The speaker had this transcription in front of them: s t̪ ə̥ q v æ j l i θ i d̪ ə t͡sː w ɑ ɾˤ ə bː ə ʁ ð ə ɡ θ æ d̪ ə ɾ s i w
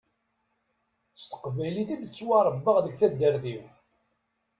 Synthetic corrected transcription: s t̪ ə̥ q v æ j l i θ i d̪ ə t͡sː w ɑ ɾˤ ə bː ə ʁ ð ə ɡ θ æ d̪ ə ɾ θ i w